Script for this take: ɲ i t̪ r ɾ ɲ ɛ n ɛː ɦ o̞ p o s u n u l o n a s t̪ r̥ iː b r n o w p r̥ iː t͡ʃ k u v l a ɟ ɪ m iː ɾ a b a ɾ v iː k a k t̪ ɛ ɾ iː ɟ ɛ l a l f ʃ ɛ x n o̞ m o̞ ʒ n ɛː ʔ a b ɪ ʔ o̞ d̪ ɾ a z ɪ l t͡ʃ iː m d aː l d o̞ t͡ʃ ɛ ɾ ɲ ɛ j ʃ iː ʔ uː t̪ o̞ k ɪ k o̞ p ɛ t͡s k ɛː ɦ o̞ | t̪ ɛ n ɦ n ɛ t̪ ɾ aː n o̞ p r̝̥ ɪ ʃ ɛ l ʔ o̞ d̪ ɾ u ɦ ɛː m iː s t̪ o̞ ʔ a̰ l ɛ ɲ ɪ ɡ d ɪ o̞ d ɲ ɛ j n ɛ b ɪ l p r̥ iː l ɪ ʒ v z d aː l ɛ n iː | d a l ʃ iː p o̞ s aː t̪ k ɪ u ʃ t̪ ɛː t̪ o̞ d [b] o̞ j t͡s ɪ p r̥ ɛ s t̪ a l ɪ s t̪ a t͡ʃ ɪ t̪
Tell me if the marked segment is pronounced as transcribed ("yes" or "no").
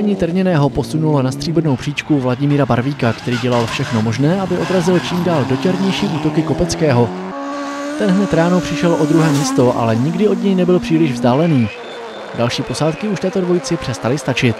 no